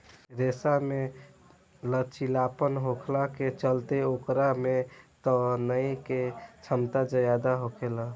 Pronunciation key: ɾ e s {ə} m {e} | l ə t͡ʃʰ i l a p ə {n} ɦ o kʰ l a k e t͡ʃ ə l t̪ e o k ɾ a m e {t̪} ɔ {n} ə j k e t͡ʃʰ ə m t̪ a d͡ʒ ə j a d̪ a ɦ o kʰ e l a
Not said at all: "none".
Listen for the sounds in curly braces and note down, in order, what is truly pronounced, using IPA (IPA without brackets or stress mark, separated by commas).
a, e, n, t̪, n